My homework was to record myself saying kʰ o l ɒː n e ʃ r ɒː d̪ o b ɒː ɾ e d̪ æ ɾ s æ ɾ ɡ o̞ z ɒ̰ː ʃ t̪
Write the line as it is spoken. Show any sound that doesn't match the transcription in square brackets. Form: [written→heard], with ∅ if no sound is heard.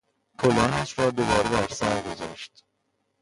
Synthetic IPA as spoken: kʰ o l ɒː n [e→æ] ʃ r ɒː d̪ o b ɒː ɾ e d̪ æ ɾ s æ ɾ ɡ o̞ z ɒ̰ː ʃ t̪